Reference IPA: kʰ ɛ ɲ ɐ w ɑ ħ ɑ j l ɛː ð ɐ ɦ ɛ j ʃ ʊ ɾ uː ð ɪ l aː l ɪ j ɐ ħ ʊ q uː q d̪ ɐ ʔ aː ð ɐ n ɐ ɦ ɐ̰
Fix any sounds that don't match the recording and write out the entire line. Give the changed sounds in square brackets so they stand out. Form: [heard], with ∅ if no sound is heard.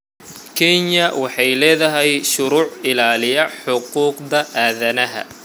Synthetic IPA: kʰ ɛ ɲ ɐ w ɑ ħ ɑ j l ɛː ð ɐ ɦ ɛ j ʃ ʊ ɾ uː [ʕ] ɪ l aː l ɪ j ɐ ħ ʊ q uː q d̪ ɐ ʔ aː ð ɐ n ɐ ɦ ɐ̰